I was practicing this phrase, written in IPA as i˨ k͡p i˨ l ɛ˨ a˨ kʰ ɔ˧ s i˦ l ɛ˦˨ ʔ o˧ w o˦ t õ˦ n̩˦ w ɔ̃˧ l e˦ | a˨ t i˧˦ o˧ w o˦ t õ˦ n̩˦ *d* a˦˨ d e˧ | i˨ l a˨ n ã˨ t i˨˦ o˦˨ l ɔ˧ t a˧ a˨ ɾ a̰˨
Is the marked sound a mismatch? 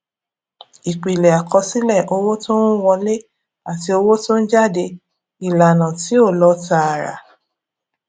yes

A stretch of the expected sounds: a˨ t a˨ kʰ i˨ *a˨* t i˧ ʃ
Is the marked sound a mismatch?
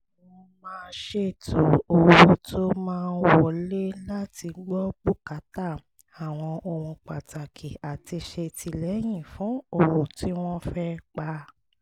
no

